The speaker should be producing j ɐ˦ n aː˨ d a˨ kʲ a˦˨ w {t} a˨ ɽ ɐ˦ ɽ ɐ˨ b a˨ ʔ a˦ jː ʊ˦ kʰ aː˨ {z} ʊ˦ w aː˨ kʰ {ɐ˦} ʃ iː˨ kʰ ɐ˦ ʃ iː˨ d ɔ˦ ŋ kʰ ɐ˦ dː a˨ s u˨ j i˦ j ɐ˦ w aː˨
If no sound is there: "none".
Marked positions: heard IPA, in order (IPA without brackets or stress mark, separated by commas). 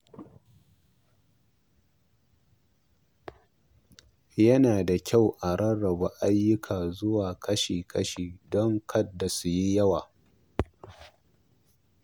ʔ, z, ɐ˦